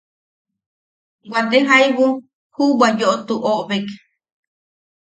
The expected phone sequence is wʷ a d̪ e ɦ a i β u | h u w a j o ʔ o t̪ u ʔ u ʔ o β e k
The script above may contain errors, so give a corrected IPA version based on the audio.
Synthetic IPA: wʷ a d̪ e ɦ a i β u | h u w a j o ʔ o t̪ u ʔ o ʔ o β e k